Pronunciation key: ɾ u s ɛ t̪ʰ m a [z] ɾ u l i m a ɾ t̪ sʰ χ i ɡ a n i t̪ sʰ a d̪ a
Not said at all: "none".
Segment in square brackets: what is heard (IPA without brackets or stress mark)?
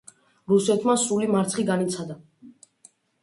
s